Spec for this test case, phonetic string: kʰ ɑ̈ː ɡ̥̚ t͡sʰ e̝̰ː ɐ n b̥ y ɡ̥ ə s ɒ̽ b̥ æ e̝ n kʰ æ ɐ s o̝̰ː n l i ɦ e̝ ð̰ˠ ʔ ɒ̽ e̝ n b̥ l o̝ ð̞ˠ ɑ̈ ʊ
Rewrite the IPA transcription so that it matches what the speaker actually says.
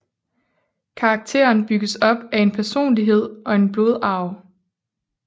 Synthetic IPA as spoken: kʰ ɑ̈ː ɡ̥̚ t͡sʰ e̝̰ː ɐ n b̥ y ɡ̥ ə s ɒ̽ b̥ æ e̝ n pʰ æ ɐ s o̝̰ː n l i ɦ e̝ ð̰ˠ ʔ ɒ̽ e̝ n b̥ l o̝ ð̞ˠ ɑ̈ ʊ